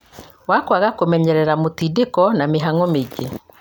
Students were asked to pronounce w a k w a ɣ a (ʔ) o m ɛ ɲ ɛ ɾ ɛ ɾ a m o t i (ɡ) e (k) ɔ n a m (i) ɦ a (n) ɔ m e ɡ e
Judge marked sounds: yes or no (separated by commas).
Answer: no, no, yes, no, no